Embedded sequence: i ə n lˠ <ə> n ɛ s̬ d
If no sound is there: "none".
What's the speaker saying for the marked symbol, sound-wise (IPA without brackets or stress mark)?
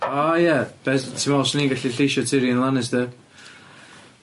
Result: a